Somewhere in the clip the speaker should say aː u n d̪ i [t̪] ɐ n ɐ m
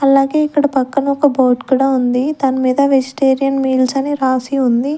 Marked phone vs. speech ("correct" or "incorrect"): correct